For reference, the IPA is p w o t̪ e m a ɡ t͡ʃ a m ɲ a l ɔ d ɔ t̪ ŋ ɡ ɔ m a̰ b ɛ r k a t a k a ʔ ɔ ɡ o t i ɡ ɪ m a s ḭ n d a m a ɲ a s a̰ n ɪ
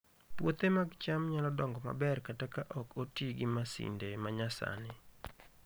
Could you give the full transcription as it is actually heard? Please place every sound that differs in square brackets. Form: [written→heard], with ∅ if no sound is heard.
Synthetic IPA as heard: p w o t̪ e m a ɡ t͡ʃ a m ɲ a l ɔ d ɔ [t̪→∅] ŋ ɡ ɔ m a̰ b ɛ r k a t a k a ʔ ɔ [ɡ→k] o t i ɡ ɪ m a s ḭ n d [a→e] m a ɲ a s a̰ n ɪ